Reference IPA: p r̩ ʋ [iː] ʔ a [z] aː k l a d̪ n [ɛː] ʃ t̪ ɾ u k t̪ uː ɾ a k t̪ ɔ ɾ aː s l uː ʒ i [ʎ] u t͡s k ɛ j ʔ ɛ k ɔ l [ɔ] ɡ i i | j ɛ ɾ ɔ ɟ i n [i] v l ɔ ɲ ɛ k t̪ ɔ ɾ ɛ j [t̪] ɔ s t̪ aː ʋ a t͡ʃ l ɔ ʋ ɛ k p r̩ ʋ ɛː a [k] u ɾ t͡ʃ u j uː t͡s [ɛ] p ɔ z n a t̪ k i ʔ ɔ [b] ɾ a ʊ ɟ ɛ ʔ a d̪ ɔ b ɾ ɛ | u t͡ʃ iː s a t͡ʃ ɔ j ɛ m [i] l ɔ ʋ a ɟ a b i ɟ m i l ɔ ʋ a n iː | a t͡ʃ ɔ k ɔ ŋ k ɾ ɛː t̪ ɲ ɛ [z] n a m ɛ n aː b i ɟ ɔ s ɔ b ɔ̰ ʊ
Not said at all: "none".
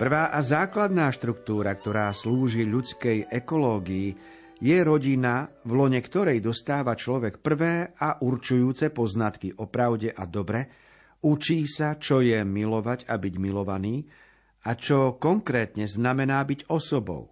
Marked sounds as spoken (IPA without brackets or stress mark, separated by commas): aː, z, aː, ʎ, ɔː, a, d̪, ʔ, ɛ, p, i, z